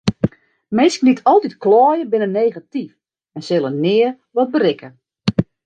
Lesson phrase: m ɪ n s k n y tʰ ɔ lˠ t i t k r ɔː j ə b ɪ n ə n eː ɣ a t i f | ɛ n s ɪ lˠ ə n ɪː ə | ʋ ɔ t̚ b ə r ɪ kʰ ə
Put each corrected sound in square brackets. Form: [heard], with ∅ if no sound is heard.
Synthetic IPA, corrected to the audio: m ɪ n s k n [i] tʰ ɔ lˠ t i t k [l] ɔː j ə b ɪ n ə n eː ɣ a t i f | ɛ n s ɪ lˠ ə n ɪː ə | ʋ ɔ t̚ b ə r ɪ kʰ ə

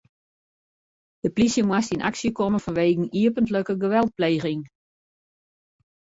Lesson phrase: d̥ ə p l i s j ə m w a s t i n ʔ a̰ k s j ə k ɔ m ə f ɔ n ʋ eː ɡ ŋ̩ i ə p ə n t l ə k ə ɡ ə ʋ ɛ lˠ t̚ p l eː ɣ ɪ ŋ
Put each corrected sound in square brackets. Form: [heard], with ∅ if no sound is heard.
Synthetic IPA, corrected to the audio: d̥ ə p l i s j ə m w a s t i n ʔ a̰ k s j ə k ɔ m ə f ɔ n ʋ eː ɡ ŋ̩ i ə p ə n t l ə k ə ɡ ə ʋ ɛ lˠ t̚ p l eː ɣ ɪ ŋ

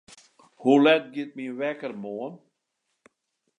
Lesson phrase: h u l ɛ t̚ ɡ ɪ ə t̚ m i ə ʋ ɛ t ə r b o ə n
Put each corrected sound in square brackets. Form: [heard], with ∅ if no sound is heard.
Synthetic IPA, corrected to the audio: h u l ɛ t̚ ɡ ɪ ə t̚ m i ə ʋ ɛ [k] ə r [m] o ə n

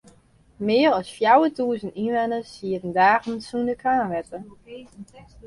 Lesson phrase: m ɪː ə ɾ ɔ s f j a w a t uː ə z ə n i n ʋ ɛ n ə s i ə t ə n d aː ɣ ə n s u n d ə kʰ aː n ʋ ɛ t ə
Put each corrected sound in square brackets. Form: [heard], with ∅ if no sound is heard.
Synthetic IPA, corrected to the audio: m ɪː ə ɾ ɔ s f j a w [ə] t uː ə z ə n i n ʋ ɛ n ə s i ə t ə n d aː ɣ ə n s u n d ə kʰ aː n ʋ ɛ t ə

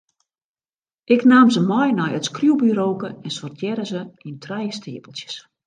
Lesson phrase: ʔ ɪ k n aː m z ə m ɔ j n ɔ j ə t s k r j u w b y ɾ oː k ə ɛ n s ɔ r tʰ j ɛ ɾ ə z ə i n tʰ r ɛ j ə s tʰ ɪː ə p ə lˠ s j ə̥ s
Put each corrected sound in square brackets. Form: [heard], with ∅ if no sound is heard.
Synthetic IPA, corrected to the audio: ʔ ɪ k n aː m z ə m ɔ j n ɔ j ə t s k r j u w b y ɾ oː k ə ɛ n s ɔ r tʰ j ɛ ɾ ə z ə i n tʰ r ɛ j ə s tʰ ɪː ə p ə lˠ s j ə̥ s

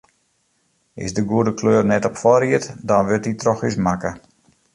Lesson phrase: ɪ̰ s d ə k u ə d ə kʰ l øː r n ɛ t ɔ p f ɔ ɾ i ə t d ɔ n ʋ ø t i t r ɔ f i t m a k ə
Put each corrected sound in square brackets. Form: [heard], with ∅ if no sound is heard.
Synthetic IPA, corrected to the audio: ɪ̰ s d ə [ɡ] u ə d ə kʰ l øː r n ɛ t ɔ p f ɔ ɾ i ə t d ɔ n ʋ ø t i t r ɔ [x] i [s] m a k ə

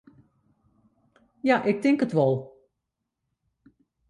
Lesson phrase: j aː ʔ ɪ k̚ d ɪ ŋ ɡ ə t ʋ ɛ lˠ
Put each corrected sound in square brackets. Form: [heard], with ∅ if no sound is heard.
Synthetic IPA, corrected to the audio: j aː ʔ ɪ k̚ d ɪ ŋ [k] ə t ʋ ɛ lˠ

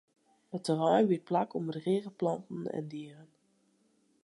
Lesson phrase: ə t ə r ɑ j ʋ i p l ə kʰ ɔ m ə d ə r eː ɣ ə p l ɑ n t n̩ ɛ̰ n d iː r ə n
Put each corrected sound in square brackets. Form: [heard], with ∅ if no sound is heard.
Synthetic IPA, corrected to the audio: ə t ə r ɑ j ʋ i p l [a] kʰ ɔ m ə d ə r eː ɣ ə p l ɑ n t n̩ ɛ̰ n d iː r ə n

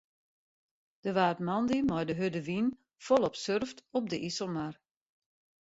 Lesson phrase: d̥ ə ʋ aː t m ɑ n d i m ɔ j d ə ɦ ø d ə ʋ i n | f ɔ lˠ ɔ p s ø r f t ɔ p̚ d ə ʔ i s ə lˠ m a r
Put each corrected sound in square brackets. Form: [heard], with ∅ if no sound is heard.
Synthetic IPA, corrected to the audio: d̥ ə ʋ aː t m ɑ n d i m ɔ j d ə ɦ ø d ə ʋ i n | f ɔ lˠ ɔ p s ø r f t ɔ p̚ d ə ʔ i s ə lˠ m a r

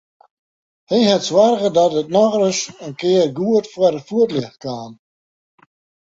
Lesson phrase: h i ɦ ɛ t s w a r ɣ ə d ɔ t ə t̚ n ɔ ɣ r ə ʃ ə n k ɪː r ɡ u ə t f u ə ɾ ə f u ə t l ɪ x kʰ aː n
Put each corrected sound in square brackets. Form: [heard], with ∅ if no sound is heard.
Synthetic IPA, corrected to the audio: h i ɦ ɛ t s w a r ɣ ə d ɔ t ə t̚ n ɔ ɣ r ə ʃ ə n k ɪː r ɡ u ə t f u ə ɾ ə f u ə t l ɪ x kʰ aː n

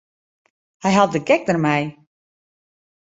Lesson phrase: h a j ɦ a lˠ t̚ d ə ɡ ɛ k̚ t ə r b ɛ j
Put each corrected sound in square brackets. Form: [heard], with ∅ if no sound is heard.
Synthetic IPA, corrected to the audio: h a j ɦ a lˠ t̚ d ə ɡ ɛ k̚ [d] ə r [m] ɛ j

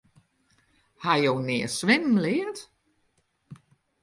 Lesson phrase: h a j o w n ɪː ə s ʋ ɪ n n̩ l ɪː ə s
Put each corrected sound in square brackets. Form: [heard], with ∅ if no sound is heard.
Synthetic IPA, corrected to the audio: h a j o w n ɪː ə s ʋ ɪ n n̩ l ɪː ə [t]

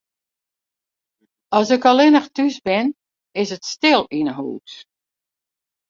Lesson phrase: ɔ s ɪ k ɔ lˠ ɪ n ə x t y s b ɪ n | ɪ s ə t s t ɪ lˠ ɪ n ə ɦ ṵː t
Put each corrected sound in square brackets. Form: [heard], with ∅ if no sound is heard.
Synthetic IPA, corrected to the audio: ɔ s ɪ k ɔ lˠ ɪ n ə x t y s b ɪ n | ɪ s ə t s t ɪ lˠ [i] n ə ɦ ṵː t

